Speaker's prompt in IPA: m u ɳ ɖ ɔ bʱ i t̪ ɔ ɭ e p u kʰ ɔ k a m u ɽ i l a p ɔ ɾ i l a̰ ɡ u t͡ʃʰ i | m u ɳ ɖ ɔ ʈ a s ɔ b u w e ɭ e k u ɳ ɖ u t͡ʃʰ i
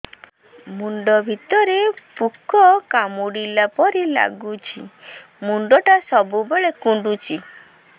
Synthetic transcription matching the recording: m u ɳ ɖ ɔ bʱ i t̪ ɔ ɾ e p u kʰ ɔ k a m u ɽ i l a p ɔ ɾ i l a̰ ɡ u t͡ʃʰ i | m u ɳ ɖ ɔ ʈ a s ɔ b u b e ɭ e k u ɳ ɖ u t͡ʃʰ i